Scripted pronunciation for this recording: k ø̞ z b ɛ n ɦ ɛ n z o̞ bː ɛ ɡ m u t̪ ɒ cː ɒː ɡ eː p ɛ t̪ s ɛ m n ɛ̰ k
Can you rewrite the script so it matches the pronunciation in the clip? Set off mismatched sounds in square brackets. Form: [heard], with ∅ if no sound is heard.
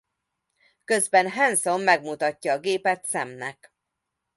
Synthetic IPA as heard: k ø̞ z b ɛ n ɦ ɛ n [s] o̞ [mː] ɛ ɡ m u t̪ ɒ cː ɒː ɡ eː p ɛ t̪ s ɛ m n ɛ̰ k